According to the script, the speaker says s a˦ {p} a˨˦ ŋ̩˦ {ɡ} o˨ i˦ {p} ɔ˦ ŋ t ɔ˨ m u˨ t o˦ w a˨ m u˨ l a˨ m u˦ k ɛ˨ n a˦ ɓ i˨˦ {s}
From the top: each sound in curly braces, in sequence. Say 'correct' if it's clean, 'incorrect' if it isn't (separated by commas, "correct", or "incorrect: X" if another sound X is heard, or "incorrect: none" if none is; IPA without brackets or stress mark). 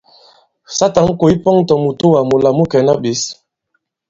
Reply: incorrect: t, incorrect: k, correct, correct